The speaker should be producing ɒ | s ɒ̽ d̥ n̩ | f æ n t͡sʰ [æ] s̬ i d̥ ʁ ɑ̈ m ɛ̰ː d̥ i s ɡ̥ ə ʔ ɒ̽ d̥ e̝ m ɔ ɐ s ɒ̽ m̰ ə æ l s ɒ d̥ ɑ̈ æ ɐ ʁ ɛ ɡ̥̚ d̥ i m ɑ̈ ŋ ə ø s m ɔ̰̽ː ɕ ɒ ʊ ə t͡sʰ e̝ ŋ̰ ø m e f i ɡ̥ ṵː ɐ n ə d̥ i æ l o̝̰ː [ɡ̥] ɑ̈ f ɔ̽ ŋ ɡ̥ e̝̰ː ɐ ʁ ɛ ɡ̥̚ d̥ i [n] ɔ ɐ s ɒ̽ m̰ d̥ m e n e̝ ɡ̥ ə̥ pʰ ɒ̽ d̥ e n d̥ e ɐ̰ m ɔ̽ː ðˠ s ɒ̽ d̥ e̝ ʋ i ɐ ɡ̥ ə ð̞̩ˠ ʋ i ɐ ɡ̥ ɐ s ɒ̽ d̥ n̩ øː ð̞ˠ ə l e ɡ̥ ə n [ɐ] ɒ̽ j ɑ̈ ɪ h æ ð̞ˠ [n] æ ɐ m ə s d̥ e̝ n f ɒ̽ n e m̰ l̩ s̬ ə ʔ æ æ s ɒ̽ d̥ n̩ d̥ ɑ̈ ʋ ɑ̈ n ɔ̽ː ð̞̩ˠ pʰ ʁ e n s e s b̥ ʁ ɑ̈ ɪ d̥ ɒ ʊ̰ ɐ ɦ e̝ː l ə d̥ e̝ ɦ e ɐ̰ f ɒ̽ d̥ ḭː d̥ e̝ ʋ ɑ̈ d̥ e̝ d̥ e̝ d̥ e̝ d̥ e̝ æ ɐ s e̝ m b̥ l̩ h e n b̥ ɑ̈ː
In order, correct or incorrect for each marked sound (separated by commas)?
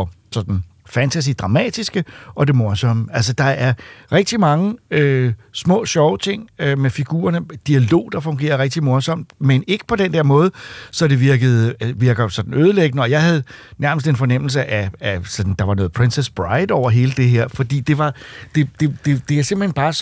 correct, incorrect, incorrect, incorrect, correct